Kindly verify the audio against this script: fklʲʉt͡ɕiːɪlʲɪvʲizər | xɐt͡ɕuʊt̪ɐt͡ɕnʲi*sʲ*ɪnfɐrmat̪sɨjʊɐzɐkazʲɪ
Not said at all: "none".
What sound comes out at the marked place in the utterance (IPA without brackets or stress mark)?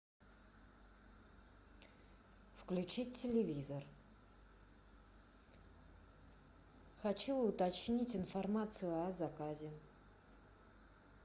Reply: tʲ